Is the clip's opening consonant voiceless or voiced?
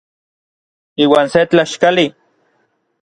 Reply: voiced